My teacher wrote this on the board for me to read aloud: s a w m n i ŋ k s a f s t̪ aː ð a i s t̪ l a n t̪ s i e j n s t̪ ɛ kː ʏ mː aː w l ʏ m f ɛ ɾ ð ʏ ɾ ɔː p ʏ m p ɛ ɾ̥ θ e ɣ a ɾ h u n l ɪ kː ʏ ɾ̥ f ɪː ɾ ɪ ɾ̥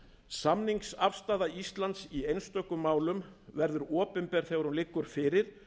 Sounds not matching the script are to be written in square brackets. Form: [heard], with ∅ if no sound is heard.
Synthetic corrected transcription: s a [∅] m n i ŋ k s a f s t̪ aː ð a i s t̪ l a n t̪ s i e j n s t̪ [œ] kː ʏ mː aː w l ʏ m [v] ɛ ɾ ð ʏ ɾ ɔː p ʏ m p ɛ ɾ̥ θ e ɣ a ɾ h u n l ɪ kː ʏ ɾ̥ f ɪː ɾ ɪ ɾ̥